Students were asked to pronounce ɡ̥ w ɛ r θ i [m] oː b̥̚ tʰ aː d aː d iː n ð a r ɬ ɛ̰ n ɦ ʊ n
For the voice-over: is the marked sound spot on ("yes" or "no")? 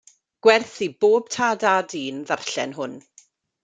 no